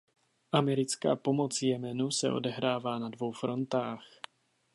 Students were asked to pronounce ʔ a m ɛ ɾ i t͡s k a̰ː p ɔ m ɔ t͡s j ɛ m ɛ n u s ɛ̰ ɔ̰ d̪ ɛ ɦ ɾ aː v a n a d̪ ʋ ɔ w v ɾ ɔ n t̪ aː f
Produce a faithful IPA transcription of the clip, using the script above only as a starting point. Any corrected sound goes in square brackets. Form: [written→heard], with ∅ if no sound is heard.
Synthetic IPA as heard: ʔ a m ɛ ɾ i t͡s k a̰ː p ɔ m ɔ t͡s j ɛ m ɛ n u s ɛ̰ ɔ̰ d̪ ɛ ɦ ɾ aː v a n a d̪ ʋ ɔ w [v→f] ɾ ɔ n t̪ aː [f→x]